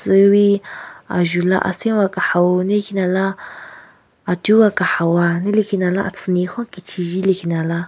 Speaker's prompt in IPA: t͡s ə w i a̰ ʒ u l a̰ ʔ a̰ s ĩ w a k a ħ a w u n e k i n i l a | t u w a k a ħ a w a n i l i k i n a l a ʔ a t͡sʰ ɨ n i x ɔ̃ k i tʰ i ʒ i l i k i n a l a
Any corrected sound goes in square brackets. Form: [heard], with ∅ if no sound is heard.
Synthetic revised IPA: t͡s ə w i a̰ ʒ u l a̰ ʔ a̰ s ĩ w a k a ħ a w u n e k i n [a] l a | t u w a k a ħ a w a n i l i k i n a l a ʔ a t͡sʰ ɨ n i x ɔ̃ k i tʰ i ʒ i l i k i n a l a